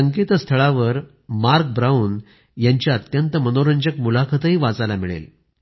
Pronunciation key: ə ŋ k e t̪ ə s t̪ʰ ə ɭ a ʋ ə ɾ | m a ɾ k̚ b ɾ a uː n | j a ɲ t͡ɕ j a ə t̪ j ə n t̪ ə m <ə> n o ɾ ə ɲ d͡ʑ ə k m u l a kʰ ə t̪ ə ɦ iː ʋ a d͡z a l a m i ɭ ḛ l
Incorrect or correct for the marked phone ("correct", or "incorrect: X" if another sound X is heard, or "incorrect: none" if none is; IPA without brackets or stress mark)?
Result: correct